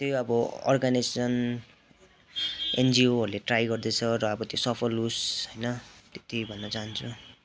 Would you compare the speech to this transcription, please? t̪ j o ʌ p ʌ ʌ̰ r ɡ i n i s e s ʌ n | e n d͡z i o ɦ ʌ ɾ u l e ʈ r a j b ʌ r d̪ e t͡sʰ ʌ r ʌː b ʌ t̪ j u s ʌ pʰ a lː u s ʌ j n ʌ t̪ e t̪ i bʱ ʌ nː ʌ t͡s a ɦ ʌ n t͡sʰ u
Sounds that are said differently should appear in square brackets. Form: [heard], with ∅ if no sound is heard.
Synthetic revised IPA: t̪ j o ʌ [b] ʌ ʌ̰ r ɡ [a] n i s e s ʌ n | e n d͡z i o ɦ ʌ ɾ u l e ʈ r a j [ɡ] ʌ r d̪ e t͡sʰ ʌ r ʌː b ʌ t̪ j [o] s ʌ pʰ [ʌ] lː u s ʌ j n ʌ t̪ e t̪ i bʱ ʌ nː ʌ t͡s a ɦ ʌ n t͡sʰ u

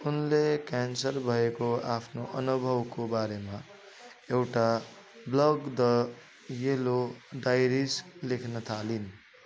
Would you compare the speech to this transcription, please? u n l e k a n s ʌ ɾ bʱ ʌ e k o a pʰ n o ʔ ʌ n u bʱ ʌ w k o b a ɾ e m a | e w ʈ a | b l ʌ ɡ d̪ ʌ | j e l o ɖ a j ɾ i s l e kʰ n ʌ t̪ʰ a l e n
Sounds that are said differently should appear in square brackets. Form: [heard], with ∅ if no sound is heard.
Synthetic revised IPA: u n l e k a n s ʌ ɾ bʱ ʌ e k o a pʰ n o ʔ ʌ n u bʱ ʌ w k o b a ɾ e m a | e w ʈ a | b l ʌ ɡ d̪ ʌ | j e l o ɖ a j ɾ i s l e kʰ n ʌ t̪ʰ a l [i] n

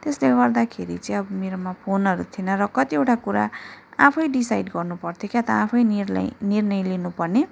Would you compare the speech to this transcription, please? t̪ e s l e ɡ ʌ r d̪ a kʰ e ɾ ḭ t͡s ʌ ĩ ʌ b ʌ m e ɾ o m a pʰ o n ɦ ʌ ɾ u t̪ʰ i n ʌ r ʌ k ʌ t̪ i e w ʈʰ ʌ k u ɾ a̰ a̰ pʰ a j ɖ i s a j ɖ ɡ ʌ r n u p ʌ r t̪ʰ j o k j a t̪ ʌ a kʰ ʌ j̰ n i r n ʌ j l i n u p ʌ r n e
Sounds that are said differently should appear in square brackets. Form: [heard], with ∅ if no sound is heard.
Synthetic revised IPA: t̪ e s l e ɡ ʌ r d̪ a kʰ e ɾ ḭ t͡s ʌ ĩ ʌ b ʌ m e ɾ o m a pʰ o n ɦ ʌ ɾ u t̪ʰ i n ʌ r ʌ k ʌ t̪ i e w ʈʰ [a] k u ɾ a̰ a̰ pʰ [ʌ] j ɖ i s a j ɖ ɡ ʌ r n u p ʌ r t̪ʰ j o k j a t̪ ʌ a [pʰ] ʌ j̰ n i r n ʌ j l i n u p ʌ r n e

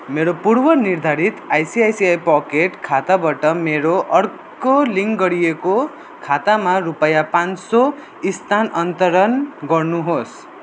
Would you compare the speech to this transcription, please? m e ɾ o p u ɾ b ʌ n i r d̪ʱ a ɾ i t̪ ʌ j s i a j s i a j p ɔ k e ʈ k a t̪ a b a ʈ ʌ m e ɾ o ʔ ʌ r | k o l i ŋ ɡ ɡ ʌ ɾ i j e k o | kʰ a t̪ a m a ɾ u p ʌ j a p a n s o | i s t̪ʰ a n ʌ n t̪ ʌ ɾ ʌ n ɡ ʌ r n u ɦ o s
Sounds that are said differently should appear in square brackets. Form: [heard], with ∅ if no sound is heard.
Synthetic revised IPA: m e ɾ o p u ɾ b ʌ n i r d̪ʱ a ɾ i t̪ [a] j s i a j s i a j p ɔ k e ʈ [kʰ] a t̪ a b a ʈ ʌ m e ɾ o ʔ ʌ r | k o l i ŋ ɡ ɡ ʌ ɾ i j e k o | kʰ a t̪ a m a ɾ u p ʌ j a p a n s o | i s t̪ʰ a n ʌ n t̪ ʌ ɾ ʌ n ɡ ʌ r n u ɦ o s

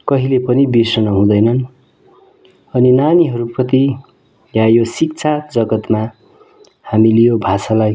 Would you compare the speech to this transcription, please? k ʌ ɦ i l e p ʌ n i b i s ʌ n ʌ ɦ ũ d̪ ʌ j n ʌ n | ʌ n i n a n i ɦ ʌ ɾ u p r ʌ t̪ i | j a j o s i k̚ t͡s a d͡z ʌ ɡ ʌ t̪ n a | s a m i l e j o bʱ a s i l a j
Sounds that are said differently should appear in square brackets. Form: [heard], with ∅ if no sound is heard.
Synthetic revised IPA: k ʌ ɦ i l e p ʌ n i b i s ʌ n ʌ ɦ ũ d̪ ʌ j n ʌ n | ʌ n i n a n i ɦ ʌ ɾ u p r ʌ t̪ i | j a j o s i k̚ [t͡sʰ] a d͡z ʌ ɡ ʌ t̪ [m] a | [h] a m i l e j o bʱ a s [a] l a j

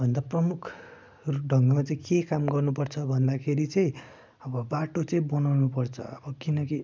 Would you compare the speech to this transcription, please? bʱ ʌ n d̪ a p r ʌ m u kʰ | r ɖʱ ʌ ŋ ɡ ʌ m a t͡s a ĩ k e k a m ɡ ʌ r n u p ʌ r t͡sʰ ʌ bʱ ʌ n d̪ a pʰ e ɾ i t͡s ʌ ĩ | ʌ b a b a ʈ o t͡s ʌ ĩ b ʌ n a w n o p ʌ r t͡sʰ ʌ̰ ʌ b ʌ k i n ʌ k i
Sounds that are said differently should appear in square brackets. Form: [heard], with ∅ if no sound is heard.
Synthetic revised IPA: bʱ ʌ n d̪ a p r ʌ m u kʰ | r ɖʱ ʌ ŋ ɡ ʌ m a t͡s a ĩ k e k a m ɡ ʌ r n u p ʌ r t͡sʰ ʌ bʱ ʌ n d̪ a [kʰ] e ɾ i t͡s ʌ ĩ | ʌ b [ʌ] b a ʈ o t͡s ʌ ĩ b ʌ n a w n [u] p ʌ r t͡sʰ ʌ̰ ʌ b ʌ k i n ʌ k i

